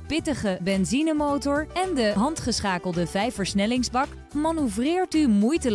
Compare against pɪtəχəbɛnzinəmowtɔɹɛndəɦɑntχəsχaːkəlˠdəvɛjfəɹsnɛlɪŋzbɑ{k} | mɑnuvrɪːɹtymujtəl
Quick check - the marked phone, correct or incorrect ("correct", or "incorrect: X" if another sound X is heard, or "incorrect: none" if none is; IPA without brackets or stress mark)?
correct